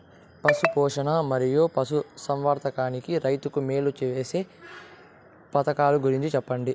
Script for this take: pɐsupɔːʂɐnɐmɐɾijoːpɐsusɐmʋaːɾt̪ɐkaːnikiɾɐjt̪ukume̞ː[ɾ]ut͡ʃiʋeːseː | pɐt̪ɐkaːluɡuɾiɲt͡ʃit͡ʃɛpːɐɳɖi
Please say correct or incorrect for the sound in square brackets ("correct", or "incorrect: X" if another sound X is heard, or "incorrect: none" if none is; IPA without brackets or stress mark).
incorrect: l